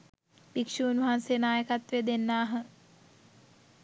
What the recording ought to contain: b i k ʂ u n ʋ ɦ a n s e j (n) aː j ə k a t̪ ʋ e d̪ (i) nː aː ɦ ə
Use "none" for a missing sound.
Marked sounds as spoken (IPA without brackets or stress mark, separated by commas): n, e